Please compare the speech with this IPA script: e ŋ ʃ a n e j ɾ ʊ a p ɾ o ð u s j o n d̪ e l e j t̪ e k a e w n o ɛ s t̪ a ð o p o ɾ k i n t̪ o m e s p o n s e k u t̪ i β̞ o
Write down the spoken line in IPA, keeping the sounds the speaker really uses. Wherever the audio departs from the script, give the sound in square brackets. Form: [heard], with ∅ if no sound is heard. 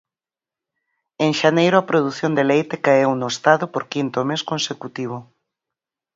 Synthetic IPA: e ŋ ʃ a n e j ɾ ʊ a p ɾ o ð u [θ] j o n d̪ e l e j t̪ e k a e w n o [e] s t̪ a ð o p o ɾ k i n t̪ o m e s [k] o n s e k u t̪ i β̞ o